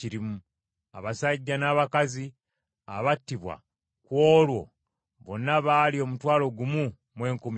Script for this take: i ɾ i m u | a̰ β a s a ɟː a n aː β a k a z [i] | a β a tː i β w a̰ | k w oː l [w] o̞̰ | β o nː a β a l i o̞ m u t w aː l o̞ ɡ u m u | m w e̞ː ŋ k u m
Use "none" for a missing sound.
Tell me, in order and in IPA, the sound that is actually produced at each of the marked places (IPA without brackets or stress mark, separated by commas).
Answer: i, w